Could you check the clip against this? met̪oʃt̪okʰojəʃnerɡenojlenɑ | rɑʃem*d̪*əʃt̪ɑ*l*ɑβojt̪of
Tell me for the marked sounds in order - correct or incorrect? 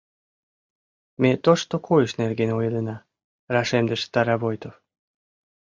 correct, incorrect

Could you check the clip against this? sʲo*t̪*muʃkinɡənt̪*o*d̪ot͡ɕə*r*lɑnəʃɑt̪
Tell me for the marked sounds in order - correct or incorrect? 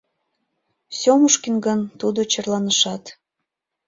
incorrect, incorrect, correct

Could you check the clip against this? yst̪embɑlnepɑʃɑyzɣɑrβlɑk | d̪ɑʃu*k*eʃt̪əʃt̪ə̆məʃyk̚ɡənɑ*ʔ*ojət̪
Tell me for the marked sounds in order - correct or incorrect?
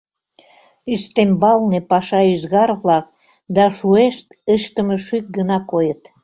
incorrect, incorrect

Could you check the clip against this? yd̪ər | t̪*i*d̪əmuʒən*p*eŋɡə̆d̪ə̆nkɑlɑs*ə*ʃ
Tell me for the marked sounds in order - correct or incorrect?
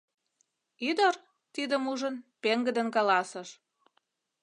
correct, correct, correct

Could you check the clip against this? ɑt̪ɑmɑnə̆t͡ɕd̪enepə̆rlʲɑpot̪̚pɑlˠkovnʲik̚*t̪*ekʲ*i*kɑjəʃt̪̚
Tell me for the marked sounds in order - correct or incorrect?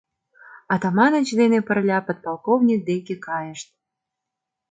incorrect, incorrect

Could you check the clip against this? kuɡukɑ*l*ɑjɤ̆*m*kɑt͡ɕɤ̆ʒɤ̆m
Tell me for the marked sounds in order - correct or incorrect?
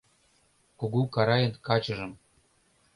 incorrect, incorrect

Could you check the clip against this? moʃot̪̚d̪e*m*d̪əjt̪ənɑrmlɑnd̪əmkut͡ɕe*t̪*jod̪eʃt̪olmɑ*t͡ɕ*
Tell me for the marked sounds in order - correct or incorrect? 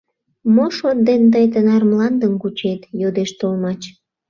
incorrect, correct, correct

